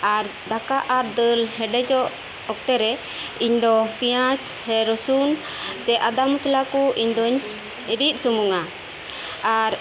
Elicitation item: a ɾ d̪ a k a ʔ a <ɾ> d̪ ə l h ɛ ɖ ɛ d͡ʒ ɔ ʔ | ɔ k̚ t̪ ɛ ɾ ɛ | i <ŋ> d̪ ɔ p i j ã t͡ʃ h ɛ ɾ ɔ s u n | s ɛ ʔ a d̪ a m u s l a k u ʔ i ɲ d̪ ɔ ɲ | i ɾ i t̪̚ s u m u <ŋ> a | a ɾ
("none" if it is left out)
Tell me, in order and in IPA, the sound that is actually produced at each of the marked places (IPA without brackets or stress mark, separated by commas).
ɾ, ɲ, ŋ